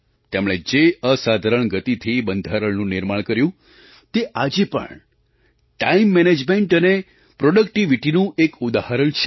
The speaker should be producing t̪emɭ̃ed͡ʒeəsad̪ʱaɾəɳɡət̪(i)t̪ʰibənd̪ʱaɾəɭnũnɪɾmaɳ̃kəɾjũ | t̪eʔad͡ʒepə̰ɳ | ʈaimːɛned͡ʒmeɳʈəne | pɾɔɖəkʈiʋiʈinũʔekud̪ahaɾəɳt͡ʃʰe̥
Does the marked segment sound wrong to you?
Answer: no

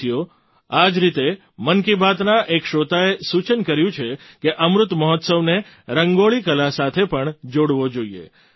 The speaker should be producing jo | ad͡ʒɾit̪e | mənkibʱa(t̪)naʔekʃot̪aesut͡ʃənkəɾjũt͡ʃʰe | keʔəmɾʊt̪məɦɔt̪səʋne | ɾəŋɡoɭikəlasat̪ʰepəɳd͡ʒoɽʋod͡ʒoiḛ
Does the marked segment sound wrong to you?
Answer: no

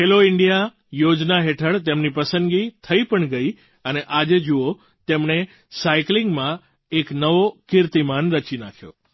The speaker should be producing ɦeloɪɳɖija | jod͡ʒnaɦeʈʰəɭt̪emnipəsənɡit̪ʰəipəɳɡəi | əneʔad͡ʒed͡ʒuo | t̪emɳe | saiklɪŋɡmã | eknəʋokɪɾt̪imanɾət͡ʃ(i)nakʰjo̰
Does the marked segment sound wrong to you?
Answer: no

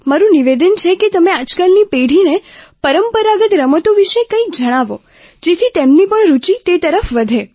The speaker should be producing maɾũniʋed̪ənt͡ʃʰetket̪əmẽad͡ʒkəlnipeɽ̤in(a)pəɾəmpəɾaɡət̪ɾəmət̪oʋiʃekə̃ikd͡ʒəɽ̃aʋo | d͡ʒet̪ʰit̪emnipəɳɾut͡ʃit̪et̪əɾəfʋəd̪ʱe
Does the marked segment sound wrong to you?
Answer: yes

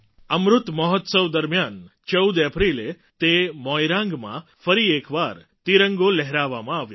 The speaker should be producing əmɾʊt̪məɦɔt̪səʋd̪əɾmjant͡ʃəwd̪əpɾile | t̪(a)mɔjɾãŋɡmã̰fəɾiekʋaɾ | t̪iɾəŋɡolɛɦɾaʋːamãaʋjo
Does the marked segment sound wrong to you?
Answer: yes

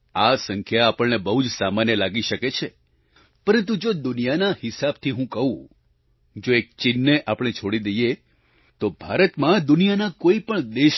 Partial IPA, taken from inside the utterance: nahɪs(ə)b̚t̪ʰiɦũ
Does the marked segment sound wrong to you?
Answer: yes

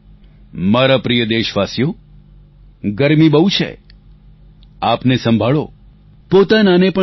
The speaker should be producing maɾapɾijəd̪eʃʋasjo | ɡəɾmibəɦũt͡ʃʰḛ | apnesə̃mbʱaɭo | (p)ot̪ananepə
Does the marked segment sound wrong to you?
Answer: no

